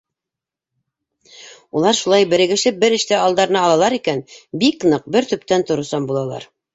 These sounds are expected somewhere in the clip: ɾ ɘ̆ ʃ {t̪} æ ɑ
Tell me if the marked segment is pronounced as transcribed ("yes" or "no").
yes